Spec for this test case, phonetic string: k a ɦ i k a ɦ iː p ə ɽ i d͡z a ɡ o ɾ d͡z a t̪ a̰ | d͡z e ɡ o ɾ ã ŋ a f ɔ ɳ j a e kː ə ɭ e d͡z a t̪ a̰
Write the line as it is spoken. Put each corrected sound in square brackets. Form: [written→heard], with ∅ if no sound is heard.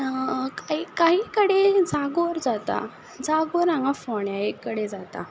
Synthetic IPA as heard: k a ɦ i k a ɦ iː [p→k] ə ɽ [i→e] d͡z a ɡ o ɾ d͡z a t̪ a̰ | d͡z [e→a] ɡ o ɾ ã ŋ a f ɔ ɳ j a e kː ə [ɭ→ɽ] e d͡z a t̪ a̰